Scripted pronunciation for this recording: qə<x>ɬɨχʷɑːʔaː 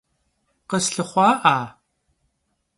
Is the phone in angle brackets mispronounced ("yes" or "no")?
yes